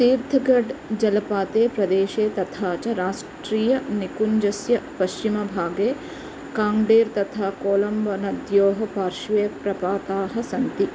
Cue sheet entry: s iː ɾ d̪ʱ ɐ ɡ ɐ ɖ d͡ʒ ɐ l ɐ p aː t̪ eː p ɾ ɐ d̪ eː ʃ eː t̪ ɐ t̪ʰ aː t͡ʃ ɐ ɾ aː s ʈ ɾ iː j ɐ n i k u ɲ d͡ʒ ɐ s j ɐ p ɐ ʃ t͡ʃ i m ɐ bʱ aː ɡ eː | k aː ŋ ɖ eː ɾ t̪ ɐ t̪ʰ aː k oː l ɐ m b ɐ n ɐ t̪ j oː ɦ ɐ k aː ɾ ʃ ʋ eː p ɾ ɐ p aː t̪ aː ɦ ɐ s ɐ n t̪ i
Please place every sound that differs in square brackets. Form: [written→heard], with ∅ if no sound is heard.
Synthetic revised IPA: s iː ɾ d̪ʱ ɐ ɡ ɐ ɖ d͡ʒ ɐ l ɐ p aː t̪ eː p ɾ ɐ d̪ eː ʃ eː t̪ ɐ t̪ʰ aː t͡ʃ ɐ ɾ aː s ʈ ɾ iː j ɐ n i k u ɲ d͡ʒ ɐ s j ɐ p ɐ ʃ t͡ʃ i m ɐ bʱ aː ɡ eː | k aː ŋ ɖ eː ɾ t̪ ɐ t̪ʰ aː k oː l ɐ m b ɐ n ɐ [t̪→d̪] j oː ɦ ɐ [k→p] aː ɾ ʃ ʋ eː p ɾ ɐ p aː t̪ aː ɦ ɐ s ɐ n t̪ i